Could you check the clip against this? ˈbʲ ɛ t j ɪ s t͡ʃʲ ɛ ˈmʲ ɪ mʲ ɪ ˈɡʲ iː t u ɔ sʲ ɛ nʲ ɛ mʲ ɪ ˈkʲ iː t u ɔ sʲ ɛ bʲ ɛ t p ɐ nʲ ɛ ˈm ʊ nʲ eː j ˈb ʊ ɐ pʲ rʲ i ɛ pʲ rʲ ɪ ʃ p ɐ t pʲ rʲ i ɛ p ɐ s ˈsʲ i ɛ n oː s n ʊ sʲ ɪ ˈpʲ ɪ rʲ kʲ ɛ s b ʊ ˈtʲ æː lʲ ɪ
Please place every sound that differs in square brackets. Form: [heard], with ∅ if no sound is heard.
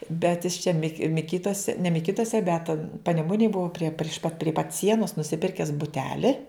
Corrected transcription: ˈbʲ ɛ t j ɪ s t͡ʃʲ ɛ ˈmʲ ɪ mʲ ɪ [ˈkʲ] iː t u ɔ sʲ ɛ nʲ ɛ mʲ ɪ ˈkʲ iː t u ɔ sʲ ɛ bʲ ɛ t p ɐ nʲ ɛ ˈm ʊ nʲ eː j ˈb ʊ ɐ pʲ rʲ i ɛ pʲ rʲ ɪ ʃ p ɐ t pʲ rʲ i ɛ p ɐ [t] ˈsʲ i ɛ n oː s n ʊ sʲ ɪ ˈpʲ ɪ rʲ kʲ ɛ s b ʊ ˈtʲ æː lʲ ɪ